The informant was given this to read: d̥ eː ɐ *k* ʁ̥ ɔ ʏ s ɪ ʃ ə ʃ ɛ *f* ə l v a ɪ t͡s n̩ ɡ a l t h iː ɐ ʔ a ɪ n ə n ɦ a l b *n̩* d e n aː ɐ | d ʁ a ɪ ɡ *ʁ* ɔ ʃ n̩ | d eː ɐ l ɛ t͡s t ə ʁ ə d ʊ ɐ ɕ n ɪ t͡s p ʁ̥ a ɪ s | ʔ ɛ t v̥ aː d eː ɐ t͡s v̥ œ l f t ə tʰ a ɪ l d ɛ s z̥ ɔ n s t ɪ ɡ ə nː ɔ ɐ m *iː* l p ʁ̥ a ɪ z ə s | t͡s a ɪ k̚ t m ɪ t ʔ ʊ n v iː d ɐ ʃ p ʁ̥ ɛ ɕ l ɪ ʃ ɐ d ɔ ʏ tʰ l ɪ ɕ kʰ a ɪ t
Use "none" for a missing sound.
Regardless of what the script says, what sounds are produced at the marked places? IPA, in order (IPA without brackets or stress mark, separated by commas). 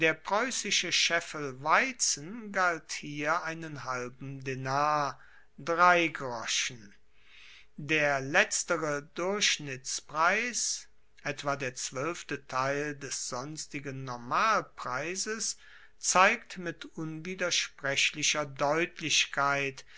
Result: p, f, m̩, ʁ, aː